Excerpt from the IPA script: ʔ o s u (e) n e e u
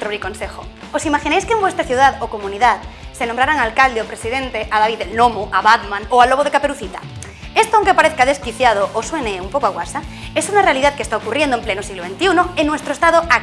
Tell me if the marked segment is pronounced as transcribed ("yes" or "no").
yes